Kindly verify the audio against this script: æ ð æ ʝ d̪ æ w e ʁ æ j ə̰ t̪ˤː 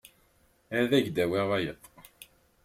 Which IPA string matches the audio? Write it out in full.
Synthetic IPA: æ ð æ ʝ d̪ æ w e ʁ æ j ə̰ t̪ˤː